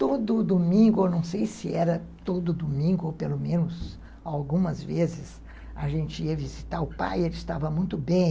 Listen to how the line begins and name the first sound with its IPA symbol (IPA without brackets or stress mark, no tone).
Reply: t̪